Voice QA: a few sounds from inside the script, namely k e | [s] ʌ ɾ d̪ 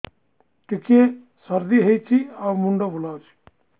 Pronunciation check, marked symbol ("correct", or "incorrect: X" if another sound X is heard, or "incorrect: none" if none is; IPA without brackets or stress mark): correct